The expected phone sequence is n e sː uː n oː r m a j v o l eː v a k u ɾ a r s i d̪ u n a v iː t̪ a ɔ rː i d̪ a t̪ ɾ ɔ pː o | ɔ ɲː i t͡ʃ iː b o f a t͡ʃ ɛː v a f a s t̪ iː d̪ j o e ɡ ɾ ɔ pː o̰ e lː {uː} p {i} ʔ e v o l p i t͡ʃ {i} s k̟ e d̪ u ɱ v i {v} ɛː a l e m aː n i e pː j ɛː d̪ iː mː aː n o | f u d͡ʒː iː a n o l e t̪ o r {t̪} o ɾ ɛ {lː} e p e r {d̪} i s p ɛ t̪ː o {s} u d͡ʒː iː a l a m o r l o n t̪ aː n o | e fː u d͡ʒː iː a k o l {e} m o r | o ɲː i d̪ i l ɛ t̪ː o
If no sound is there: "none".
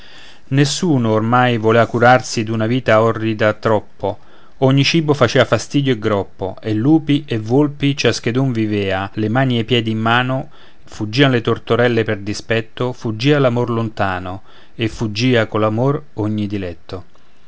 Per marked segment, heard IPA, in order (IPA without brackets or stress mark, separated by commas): uː, i, a, v, t̪, lː, d̪, f, a